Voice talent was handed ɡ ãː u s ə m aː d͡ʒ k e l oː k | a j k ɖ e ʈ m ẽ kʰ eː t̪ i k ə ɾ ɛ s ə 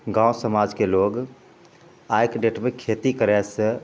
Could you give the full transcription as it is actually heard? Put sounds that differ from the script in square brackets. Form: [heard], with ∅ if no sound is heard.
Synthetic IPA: ɡ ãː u s ə m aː d͡ʒ k e l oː [ɡ] | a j k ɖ e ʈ m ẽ kʰ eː t̪ i k ə ɾ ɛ s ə